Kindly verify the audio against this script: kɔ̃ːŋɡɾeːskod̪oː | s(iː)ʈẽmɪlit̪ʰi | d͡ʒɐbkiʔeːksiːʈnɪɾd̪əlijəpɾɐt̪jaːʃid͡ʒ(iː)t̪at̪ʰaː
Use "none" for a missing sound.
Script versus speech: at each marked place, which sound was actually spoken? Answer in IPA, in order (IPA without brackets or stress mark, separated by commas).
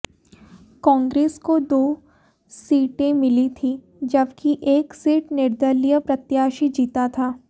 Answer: iː, iː